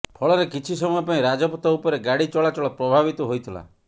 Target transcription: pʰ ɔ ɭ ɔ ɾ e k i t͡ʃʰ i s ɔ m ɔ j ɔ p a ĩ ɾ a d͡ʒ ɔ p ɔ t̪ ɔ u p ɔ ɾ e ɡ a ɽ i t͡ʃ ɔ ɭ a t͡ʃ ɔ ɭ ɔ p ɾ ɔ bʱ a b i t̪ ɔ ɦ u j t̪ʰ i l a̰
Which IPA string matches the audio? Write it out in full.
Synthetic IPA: pʰ ɔ ɭ ɔ ɾ e k i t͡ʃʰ i s ɔ m ɔ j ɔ p a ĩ ɾ a d͡ʒ ɔ p ɔ t̪ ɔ u p ɔ ɾ e ɡ a ɽ i t͡ʃ ɔ ɭ a t͡ʃ ɔ ɭ ɔ p ɾ ɔ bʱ a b i t̪ ɔ ɦ o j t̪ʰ i l a̰